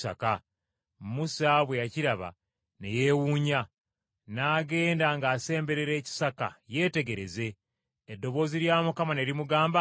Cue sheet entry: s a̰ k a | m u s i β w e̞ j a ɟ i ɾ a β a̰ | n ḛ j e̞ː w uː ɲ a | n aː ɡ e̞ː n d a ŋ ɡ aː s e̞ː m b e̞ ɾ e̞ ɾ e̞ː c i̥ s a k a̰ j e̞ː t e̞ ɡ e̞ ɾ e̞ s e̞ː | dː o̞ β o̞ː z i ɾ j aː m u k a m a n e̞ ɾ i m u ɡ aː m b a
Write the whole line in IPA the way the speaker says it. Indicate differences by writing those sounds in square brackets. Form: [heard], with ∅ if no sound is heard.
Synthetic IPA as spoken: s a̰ k a | m u s [a] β w e̞ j a [c] i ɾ a β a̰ | n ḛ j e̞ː w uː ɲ a | n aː ɡ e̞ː n d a ŋ ɡ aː s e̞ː m b e̞ ɾ e̞ ɾ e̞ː c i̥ s a k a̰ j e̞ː t e̞ ɡ e̞ ɾ e̞ [z] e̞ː | dː o̞ β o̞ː z i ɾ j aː m u k a m a n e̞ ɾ i m u ɡ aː m b a